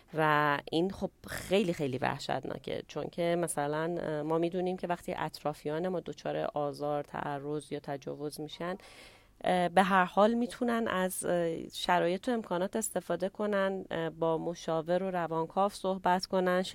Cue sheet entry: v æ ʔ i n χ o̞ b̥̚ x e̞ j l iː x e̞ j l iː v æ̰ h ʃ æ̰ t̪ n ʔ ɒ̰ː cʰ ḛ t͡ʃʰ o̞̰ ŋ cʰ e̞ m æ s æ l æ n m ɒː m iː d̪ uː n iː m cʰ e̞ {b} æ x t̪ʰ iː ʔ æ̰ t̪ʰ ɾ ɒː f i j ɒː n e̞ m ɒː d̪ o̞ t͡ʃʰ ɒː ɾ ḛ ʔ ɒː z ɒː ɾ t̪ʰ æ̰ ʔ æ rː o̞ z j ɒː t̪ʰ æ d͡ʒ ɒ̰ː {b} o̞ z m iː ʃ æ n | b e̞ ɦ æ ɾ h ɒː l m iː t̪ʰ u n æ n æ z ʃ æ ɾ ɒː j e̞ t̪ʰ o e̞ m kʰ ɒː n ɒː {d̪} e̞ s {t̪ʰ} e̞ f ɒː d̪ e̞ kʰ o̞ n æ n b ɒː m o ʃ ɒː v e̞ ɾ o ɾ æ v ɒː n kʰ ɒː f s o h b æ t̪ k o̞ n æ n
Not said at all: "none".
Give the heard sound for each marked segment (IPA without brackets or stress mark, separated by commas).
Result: v, v, t̪, t̪